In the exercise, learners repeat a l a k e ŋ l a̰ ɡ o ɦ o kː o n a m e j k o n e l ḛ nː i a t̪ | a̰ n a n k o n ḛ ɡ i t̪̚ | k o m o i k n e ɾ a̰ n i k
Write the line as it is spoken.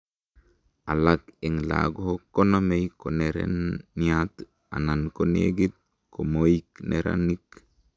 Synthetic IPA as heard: a l a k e ŋ l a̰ ɡ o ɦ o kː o n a m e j k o n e ɾ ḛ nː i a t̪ | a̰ n a n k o n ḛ ɡ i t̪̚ | k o m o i k n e ɾ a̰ n i k